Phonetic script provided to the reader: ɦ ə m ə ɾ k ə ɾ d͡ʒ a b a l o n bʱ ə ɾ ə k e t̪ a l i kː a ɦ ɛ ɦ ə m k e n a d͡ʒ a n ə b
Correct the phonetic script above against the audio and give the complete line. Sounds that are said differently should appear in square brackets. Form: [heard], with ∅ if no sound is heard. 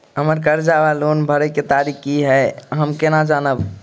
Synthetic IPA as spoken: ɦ ə m ə ɾ k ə ɾ d͡ʒ a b a l o n bʱ ə ɾ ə k e t̪ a [ɾ] i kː [i] ɦ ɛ ɦ ə m k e n a d͡ʒ a n ə b